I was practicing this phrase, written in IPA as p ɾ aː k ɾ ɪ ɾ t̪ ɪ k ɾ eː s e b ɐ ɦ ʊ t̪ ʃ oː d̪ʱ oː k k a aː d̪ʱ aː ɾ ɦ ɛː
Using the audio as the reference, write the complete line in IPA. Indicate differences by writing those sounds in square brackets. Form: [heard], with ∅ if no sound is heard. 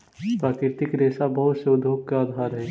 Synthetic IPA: p ɾ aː k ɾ ɪ ɾ t̪ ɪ k ɾ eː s [a] b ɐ ɦ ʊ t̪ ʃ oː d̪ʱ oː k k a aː d̪ʱ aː ɾ ɦ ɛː

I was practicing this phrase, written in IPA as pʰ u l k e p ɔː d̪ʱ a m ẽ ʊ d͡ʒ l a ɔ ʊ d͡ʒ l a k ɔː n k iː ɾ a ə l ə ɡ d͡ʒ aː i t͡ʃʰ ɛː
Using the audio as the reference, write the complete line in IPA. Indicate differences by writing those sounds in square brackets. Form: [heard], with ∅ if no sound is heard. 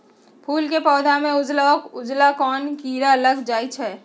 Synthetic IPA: pʰ [uː] l k e p ɔː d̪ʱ a m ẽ ʊ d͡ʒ l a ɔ ʊ d͡ʒ l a k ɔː n k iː ɾ a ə l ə ɡ d͡ʒ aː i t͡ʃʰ ɛː

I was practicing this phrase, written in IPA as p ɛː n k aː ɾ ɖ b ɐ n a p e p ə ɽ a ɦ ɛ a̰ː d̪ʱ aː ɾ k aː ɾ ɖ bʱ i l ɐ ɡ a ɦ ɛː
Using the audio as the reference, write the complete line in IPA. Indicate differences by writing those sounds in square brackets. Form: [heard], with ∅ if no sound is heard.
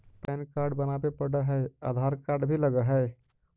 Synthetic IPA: p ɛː n k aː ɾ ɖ b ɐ n a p e p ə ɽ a ɦ ɛ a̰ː d̪ʱ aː ɾ k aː ɾ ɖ bʱ i l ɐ ɡ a ɦ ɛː

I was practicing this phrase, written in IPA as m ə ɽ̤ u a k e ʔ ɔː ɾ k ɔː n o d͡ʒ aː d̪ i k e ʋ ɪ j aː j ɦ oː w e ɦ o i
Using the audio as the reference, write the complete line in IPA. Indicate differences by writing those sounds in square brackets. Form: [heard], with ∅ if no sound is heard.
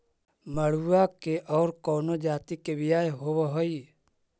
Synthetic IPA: m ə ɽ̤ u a k e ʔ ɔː ɾ k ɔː n o d͡ʒ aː [t̪] i k e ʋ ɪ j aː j ɦ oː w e ɦ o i

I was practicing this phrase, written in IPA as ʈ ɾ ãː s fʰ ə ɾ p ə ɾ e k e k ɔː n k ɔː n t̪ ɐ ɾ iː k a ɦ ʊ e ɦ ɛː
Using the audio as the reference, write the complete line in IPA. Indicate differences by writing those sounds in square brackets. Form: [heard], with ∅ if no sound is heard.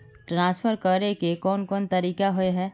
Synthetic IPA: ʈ ɾ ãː s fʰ ə ɾ [k] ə ɾ e k e k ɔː n k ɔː n t̪ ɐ ɾ iː k a ɦ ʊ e ɦ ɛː

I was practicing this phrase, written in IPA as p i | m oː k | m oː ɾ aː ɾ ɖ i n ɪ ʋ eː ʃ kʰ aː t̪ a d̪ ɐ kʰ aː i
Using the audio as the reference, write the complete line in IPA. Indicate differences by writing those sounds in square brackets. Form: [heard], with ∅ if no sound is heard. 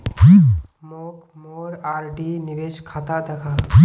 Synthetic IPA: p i | m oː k | m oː ɾ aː ɾ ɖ i n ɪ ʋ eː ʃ kʰ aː t̪ a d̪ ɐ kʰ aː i

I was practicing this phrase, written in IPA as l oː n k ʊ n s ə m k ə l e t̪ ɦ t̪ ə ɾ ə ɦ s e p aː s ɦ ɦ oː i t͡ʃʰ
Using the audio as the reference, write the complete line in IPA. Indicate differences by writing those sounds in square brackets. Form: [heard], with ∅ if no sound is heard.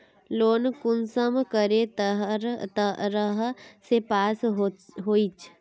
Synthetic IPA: l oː n k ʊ n s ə m k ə [ɾ] e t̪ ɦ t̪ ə ɾ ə ɦ s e p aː s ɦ ɦ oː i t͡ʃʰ

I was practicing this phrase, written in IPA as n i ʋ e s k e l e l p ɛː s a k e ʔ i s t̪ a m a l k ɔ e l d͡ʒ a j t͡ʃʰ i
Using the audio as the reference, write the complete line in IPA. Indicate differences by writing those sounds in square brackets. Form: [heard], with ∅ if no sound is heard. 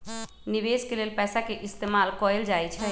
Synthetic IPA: n i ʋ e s k e l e l p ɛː s a k e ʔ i s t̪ [e] m a l k ɔ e l d͡ʒ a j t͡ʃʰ [ɛ]

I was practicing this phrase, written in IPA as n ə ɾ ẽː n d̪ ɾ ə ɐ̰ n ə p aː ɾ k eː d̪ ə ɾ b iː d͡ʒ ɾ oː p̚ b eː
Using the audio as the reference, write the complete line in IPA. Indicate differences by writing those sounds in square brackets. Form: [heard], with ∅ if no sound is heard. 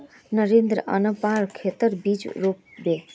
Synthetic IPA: n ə ɾ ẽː n d̪ ɾ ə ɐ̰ n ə p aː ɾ [kʰ] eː [t̪] ə ɾ b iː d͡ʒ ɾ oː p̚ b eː

